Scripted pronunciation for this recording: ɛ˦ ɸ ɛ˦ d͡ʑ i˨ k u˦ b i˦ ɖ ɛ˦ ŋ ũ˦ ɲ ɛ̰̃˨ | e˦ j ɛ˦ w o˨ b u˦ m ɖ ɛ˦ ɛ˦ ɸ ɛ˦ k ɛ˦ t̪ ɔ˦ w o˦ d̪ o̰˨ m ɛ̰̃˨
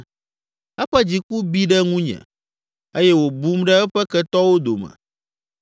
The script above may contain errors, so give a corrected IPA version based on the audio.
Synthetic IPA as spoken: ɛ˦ ɸ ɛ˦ d͡ʑ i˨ k u˦ b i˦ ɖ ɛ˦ ŋ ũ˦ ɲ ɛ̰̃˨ | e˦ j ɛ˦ w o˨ b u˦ m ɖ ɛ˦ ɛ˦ ɸ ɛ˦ k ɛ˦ t̪ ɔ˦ w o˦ d̪ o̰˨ m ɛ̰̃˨